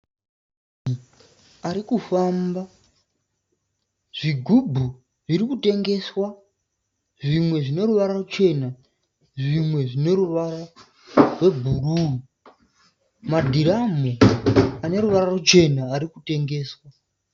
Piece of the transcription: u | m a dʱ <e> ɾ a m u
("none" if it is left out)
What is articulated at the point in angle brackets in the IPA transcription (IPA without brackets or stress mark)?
i